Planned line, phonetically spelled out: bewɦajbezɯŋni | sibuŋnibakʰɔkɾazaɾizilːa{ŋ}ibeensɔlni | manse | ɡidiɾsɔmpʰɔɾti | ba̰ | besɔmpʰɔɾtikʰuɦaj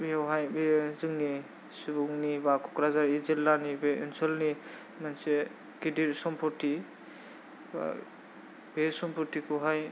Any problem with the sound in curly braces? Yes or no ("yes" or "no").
yes